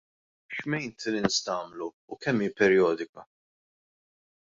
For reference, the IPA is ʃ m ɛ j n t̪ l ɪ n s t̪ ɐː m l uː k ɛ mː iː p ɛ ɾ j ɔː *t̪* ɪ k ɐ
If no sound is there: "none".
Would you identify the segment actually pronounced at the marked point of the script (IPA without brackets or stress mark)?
d̪